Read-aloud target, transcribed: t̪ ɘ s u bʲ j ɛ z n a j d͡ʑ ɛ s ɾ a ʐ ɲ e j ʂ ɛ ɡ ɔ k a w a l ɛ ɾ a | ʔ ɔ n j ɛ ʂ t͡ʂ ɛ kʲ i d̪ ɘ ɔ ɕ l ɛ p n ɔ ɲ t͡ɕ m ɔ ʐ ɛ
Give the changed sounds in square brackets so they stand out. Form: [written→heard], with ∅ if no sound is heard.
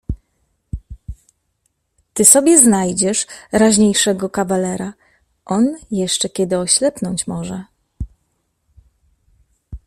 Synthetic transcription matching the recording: t̪ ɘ s [u→ɔ] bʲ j ɛ z n a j d͡ʑ ɛ [s→ʂ] ɾ a [ʐ→ʑ] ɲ e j ʂ ɛ ɡ ɔ k a [w→v] a l ɛ ɾ a | ʔ ɔ n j ɛ ʂ t͡ʂ ɛ kʲ [i→ɛ] d̪ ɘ ɔ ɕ l ɛ p n ɔ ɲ t͡ɕ m ɔ ʐ ɛ